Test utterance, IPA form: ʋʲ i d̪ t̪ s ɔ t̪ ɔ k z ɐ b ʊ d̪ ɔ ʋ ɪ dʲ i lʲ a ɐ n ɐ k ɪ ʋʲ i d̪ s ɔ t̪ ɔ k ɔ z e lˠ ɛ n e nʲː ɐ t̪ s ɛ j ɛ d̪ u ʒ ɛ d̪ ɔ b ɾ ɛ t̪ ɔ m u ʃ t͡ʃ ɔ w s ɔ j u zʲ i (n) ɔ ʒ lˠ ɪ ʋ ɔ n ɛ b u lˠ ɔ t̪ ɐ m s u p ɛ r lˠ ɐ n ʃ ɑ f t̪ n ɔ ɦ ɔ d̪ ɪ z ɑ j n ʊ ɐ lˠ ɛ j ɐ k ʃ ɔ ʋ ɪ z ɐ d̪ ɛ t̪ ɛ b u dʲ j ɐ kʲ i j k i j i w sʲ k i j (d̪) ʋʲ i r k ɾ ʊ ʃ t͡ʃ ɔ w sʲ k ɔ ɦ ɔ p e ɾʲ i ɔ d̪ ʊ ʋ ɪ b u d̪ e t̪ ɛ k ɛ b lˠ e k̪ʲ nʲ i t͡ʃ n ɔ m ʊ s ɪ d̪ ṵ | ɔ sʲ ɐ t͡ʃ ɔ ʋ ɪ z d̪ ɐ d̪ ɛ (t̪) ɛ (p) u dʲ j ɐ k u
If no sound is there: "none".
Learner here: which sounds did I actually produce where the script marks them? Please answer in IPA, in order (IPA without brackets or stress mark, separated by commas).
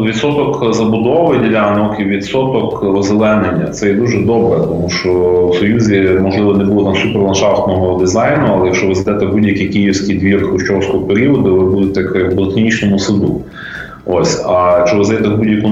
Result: m, d̪, t̪, b